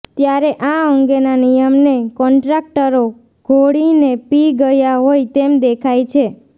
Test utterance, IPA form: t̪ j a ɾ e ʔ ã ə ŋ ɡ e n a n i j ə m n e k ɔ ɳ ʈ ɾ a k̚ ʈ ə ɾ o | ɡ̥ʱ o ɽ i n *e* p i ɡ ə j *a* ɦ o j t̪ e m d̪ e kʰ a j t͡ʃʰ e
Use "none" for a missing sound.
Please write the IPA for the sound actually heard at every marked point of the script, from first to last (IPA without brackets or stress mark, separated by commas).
e, a